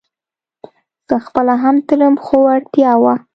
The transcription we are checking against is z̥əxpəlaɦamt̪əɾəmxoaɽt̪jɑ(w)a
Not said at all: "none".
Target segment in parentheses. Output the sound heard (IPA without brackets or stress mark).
w